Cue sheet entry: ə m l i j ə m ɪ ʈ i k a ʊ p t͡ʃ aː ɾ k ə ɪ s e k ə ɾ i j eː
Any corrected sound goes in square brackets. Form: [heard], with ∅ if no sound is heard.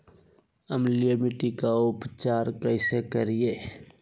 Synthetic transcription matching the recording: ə m l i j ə m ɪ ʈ i k a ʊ p t͡ʃ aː ɾ k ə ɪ s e k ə ɾ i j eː